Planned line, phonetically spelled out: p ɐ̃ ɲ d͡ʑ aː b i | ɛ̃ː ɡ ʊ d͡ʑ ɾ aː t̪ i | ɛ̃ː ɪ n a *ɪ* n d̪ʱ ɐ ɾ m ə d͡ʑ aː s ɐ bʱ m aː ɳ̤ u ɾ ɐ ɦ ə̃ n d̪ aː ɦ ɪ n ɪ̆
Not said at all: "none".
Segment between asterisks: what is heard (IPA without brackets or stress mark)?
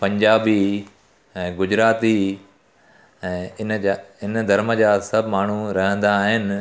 ɪ